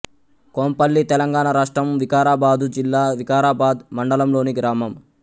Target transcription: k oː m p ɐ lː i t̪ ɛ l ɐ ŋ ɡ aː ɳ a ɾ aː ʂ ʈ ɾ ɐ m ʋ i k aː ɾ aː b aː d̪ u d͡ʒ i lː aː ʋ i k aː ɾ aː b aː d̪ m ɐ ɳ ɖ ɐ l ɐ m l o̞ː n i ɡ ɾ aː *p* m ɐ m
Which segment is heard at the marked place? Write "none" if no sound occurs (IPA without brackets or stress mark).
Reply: none